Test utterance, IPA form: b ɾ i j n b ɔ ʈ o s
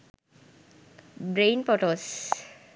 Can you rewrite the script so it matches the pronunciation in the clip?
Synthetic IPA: b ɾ e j n p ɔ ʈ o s